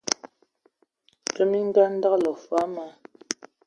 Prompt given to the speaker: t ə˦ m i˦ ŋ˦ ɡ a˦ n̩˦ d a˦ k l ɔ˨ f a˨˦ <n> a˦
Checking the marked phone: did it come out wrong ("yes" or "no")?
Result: yes